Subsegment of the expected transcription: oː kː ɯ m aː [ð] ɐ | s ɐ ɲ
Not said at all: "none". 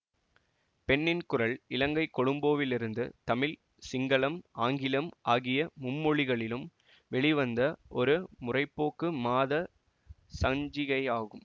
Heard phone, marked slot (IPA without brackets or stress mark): ð